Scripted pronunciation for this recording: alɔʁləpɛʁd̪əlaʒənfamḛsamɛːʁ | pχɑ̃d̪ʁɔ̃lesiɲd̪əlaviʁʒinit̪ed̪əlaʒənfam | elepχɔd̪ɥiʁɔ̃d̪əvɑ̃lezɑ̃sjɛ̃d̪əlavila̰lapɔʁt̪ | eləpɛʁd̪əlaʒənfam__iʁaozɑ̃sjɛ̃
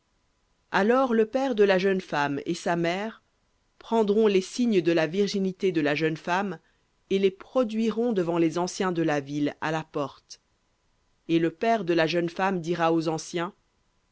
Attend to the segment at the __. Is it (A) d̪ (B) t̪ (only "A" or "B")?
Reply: A